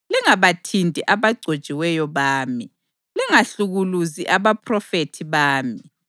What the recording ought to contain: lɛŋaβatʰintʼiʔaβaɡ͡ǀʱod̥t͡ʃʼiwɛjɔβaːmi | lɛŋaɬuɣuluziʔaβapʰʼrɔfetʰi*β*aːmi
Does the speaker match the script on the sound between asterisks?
yes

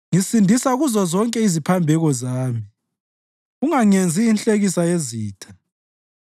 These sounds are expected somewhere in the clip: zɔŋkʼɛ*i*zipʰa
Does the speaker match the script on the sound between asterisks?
yes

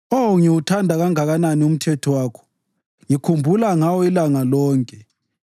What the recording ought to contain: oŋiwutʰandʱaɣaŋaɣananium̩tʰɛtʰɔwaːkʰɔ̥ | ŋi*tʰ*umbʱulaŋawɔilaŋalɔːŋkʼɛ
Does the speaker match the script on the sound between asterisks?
no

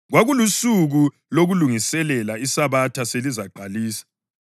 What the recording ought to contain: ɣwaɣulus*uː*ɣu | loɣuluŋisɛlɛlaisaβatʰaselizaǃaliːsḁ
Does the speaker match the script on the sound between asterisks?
no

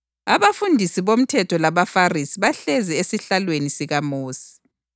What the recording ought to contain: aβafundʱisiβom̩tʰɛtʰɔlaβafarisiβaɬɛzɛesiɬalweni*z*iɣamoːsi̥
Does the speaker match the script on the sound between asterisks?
no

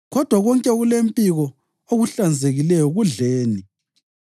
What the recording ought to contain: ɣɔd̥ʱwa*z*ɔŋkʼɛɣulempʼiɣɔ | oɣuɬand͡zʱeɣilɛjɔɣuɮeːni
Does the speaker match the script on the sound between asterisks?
no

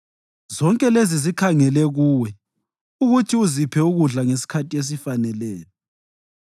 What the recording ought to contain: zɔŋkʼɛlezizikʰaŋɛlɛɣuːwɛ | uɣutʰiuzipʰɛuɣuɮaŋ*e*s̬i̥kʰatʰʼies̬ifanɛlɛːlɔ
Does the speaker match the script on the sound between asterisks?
yes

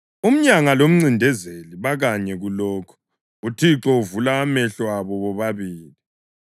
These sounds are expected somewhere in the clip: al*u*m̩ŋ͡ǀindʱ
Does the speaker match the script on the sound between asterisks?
no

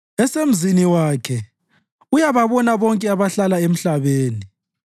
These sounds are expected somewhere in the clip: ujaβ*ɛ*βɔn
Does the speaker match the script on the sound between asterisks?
no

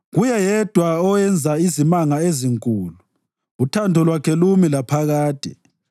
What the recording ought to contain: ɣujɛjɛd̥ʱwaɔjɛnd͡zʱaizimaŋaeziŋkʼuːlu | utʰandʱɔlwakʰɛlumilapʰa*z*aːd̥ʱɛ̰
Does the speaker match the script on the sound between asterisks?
no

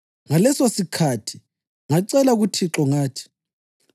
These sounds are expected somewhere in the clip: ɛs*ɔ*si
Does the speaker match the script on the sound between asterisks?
no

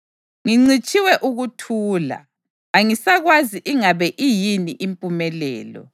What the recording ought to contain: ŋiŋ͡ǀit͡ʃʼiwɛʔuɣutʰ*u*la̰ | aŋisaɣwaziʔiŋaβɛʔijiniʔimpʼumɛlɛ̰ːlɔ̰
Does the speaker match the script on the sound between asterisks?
no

